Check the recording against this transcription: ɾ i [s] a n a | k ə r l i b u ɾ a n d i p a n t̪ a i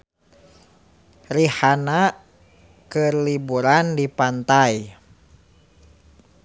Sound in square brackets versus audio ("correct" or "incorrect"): incorrect